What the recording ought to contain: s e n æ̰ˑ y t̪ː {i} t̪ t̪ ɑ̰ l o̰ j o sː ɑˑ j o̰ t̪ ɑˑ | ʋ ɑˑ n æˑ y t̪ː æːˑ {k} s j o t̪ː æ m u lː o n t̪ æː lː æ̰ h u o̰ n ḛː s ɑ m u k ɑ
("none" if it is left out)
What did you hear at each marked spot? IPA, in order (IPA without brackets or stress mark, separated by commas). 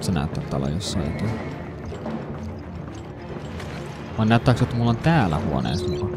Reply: æ, k